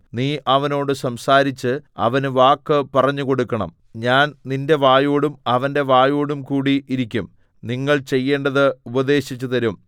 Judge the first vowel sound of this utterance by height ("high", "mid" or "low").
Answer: high